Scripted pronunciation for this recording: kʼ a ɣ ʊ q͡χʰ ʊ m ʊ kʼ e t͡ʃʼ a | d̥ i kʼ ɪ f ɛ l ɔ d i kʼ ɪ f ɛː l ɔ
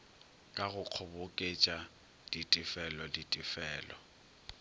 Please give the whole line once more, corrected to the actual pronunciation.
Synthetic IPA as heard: kʼ a ɣ ʊ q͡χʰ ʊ b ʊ kʼ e t͡ʃʼ a | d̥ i tʼ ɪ f ɛ l ɔ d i tʼ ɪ f ɛː l ɔ